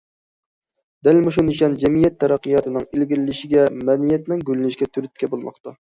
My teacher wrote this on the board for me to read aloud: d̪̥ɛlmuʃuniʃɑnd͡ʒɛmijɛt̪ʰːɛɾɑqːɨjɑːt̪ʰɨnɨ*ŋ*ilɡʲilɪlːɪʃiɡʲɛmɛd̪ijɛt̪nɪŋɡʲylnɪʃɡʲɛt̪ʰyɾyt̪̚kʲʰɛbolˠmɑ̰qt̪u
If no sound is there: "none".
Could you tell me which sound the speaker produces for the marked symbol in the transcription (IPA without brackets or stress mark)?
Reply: ŋ